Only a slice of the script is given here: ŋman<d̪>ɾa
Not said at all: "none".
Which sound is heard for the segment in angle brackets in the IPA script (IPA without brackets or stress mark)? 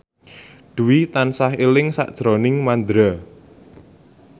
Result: d̪